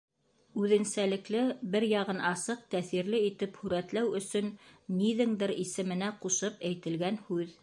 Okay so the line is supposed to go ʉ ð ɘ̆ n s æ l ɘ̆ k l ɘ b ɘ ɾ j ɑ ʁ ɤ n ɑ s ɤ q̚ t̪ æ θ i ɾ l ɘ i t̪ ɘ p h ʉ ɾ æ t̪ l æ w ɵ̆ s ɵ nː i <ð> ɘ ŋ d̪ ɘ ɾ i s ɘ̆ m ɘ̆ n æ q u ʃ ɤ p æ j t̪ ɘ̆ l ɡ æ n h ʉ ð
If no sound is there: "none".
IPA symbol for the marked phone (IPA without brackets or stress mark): ð